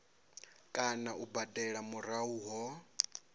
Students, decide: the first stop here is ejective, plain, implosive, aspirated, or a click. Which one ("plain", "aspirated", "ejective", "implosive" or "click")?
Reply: ejective